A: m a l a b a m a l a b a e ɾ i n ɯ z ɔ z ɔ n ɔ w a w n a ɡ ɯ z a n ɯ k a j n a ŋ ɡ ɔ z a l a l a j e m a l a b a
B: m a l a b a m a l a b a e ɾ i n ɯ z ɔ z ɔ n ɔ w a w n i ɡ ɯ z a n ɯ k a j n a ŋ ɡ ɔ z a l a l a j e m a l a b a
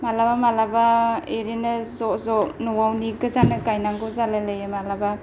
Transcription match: B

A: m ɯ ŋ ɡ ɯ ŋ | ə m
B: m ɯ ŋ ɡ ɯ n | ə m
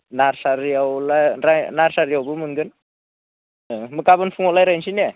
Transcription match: B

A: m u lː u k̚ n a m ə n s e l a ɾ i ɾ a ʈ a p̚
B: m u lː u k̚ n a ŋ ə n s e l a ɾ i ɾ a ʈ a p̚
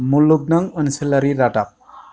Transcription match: B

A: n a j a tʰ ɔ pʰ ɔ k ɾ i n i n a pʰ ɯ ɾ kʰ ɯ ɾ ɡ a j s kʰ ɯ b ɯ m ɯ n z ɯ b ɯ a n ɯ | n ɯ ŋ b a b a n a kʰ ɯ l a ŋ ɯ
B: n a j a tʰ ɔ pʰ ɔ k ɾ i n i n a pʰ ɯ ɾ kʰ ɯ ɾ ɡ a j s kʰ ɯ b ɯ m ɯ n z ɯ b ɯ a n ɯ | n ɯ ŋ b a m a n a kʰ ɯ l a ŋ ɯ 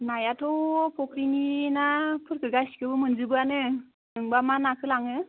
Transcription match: B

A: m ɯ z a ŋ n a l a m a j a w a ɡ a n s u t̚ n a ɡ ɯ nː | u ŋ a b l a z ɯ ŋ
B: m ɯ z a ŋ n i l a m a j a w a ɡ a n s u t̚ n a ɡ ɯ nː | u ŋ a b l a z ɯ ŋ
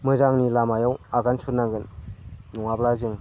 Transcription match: B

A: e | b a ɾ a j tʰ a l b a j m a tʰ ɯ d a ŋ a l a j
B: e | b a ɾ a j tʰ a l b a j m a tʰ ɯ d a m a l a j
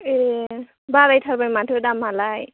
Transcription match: B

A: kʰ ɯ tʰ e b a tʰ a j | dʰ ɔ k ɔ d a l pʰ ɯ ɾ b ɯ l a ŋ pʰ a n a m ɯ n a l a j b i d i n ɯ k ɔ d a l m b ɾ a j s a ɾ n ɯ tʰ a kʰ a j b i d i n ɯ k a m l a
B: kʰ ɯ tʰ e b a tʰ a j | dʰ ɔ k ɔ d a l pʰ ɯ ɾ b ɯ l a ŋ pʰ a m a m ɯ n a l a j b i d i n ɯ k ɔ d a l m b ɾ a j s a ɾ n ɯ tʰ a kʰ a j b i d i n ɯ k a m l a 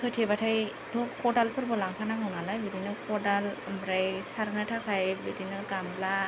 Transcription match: A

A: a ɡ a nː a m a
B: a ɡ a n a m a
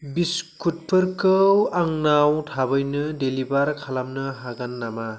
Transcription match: A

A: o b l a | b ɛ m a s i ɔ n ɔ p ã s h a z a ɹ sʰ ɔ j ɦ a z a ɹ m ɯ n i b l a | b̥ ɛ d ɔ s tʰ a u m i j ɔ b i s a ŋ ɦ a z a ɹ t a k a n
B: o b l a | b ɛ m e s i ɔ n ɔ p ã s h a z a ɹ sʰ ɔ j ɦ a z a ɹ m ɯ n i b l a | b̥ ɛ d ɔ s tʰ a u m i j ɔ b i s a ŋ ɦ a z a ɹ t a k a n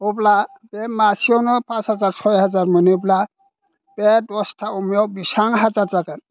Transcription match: A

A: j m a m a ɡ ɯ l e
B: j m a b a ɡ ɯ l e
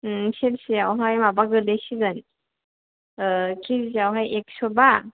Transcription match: B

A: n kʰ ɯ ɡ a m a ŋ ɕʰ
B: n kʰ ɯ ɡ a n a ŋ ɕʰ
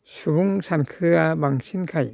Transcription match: A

